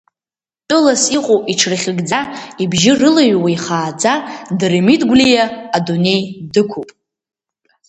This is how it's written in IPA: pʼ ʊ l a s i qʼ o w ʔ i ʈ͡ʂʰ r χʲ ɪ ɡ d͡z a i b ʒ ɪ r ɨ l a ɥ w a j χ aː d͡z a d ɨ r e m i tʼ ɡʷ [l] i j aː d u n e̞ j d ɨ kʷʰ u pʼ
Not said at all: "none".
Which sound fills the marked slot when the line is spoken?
l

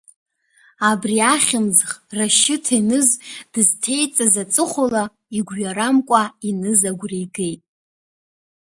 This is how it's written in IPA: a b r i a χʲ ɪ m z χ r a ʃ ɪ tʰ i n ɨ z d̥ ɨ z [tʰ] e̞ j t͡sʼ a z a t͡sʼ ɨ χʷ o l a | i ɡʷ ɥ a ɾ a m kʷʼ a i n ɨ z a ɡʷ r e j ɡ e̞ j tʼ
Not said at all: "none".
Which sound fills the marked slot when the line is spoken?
tʰ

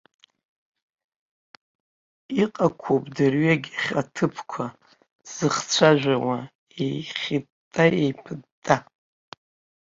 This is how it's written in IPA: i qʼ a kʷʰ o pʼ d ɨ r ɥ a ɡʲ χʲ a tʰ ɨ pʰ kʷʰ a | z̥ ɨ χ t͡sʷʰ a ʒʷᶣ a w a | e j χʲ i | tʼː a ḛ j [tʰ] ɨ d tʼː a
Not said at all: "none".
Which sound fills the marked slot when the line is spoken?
pʰ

